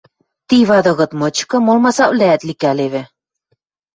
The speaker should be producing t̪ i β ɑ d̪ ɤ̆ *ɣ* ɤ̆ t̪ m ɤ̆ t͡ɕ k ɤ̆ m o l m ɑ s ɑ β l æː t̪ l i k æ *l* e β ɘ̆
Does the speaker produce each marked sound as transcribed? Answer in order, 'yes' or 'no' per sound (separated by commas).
yes, yes